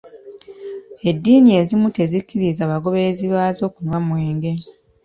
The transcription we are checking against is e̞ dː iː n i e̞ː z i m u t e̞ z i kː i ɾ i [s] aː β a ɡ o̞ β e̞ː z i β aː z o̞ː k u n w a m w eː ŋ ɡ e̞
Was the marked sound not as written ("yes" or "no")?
yes